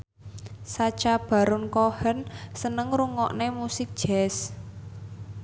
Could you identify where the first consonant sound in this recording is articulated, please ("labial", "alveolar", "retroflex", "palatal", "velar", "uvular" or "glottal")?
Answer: alveolar